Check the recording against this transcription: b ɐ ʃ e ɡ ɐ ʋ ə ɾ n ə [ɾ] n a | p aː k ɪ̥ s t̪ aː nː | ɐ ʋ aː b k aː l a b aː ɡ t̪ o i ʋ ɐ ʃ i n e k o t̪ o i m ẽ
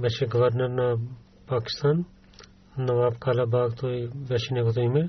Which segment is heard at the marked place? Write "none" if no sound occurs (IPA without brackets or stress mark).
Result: ɾ